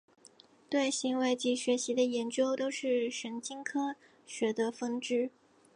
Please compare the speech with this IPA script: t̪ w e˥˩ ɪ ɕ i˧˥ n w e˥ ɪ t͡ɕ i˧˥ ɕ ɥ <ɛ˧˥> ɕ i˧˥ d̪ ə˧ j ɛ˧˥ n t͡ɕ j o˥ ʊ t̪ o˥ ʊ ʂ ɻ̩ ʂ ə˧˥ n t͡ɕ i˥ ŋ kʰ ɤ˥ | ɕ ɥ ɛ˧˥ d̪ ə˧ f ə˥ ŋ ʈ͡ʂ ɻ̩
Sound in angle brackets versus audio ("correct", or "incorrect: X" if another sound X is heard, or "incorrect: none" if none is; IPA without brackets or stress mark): correct